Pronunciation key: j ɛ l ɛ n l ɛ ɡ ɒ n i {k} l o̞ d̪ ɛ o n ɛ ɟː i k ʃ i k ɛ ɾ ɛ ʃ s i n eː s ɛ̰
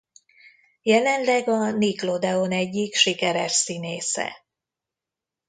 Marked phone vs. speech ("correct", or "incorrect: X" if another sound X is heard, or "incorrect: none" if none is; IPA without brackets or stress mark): correct